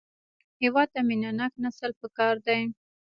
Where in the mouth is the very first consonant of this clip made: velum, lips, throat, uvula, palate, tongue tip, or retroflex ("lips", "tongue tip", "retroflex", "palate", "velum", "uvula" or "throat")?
throat